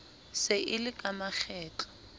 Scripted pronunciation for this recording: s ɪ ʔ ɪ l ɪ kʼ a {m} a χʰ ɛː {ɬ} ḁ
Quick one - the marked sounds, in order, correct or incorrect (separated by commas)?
correct, incorrect